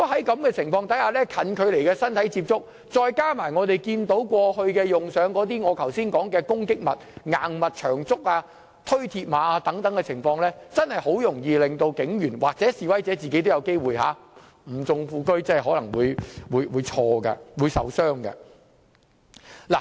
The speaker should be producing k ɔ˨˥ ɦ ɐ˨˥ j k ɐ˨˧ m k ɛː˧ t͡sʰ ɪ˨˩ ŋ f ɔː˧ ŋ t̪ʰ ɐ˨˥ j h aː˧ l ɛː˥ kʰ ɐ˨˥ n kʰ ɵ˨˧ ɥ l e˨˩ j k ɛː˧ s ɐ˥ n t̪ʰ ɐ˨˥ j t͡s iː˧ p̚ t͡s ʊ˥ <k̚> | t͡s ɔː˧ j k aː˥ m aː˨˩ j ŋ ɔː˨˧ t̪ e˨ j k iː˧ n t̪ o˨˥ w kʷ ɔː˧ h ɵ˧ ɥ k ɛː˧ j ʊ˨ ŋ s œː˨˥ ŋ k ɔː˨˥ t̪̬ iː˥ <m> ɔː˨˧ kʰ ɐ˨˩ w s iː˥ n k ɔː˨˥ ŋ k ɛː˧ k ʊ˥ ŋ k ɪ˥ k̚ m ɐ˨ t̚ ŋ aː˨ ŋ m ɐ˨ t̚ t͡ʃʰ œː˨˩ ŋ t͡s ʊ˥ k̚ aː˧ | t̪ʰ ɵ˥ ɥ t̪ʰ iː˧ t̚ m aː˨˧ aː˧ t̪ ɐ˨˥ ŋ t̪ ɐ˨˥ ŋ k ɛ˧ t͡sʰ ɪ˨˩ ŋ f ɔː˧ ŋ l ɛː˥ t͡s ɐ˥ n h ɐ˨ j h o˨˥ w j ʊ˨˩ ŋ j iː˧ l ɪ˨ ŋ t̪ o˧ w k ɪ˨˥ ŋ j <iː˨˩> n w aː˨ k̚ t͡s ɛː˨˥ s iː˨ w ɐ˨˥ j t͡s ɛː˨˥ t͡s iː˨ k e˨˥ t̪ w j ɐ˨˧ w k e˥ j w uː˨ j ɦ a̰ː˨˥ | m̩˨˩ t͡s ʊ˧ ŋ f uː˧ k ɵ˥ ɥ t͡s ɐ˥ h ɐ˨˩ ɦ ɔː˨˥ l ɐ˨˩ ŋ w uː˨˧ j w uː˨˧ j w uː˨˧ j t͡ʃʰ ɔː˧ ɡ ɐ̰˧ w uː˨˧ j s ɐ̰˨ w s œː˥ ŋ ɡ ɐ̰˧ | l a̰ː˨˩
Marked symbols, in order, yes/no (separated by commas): yes, no, no